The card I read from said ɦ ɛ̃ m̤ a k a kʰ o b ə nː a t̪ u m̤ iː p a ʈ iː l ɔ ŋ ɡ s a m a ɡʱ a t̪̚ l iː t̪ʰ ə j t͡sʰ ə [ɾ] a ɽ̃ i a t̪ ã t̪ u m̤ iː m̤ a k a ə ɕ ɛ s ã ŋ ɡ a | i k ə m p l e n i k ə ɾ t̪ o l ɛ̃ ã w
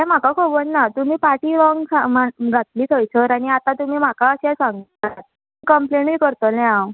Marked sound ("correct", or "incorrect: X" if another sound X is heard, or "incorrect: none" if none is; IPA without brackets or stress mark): correct